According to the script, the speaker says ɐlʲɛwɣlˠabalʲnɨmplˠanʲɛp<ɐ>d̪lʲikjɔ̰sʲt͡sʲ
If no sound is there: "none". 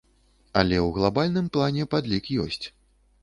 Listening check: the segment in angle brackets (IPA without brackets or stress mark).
a